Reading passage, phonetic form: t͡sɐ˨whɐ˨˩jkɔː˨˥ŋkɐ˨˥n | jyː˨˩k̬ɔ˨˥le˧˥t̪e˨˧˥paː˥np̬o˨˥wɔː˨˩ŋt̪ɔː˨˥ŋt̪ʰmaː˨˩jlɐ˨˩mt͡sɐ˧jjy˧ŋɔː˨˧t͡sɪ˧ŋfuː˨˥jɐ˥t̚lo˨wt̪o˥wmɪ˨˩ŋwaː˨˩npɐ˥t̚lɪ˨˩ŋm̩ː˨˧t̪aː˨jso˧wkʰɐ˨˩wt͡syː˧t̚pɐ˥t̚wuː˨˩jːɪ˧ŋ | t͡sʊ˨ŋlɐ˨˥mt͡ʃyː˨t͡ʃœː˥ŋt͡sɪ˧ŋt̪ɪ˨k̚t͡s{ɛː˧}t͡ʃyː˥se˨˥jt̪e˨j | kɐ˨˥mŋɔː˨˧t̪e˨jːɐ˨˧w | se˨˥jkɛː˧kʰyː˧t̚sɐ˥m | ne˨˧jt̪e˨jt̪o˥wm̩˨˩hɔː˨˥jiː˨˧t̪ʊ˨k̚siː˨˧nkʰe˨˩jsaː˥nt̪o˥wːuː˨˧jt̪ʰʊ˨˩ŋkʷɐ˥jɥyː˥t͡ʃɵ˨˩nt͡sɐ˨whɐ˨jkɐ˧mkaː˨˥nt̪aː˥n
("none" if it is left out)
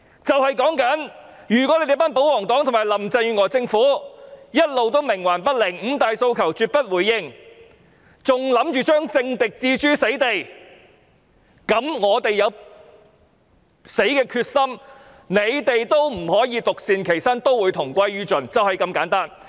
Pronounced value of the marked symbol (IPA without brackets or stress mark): iː˧